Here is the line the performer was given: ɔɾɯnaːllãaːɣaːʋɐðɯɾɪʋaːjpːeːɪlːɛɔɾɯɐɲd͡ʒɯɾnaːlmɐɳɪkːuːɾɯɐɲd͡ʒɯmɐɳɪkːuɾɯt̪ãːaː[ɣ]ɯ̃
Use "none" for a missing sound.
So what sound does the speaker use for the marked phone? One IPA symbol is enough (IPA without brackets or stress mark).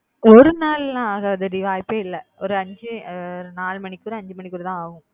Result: ɣ